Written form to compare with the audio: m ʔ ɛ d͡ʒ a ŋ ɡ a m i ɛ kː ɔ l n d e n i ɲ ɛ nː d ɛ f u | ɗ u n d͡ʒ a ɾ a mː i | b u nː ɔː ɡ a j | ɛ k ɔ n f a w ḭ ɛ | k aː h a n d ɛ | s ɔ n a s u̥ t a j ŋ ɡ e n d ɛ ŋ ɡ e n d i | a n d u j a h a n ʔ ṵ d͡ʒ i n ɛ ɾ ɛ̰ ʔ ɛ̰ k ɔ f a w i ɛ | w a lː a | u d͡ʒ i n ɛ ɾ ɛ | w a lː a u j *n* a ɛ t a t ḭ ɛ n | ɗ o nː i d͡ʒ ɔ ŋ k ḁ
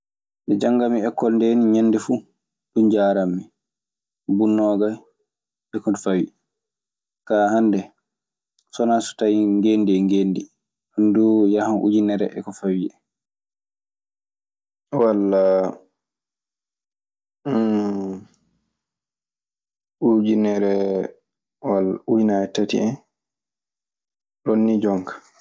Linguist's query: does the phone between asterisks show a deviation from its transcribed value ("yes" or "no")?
no